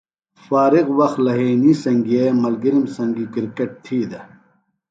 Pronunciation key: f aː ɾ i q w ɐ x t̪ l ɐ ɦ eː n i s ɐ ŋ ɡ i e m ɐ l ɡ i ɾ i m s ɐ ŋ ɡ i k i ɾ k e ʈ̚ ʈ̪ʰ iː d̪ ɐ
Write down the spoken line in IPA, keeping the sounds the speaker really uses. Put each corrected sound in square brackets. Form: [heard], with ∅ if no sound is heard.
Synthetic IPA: f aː ɾ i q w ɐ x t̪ l ɐ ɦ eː n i s ɐ ŋ ɡ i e m ɐ l ɡ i ɾ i m s ɐ ŋ ɡ i k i ɾ k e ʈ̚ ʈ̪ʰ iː d̪ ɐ